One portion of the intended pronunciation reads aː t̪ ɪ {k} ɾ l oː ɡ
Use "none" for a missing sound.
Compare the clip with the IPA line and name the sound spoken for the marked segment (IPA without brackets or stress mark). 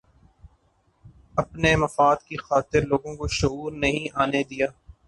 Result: none